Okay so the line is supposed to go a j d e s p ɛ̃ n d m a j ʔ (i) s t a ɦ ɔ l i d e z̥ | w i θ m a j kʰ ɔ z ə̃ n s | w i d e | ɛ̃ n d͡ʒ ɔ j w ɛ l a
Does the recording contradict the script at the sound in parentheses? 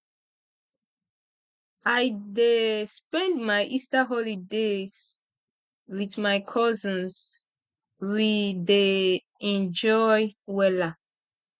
no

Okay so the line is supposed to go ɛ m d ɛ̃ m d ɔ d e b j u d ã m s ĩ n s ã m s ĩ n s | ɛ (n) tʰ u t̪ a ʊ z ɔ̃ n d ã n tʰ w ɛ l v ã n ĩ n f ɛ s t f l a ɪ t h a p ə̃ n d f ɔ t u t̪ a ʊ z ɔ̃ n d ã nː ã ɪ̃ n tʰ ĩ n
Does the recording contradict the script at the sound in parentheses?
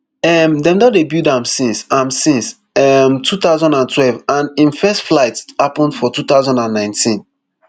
yes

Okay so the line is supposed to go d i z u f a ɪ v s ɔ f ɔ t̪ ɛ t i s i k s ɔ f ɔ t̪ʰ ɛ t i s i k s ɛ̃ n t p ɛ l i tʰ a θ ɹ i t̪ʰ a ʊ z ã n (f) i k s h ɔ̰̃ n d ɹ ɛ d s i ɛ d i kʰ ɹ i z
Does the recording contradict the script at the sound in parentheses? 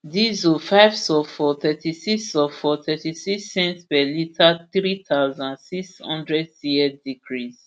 yes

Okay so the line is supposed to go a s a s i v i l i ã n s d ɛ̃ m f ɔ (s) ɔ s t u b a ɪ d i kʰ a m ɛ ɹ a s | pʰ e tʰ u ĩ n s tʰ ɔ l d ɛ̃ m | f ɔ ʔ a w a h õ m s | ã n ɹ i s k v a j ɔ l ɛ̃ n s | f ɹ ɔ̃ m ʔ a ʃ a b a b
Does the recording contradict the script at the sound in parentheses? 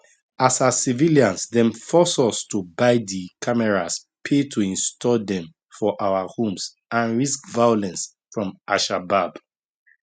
no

